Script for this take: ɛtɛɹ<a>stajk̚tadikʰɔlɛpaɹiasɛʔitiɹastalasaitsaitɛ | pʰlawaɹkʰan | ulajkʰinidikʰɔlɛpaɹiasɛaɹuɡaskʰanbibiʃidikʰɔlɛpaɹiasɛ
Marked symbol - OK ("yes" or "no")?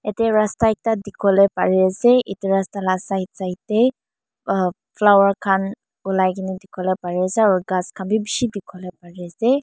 yes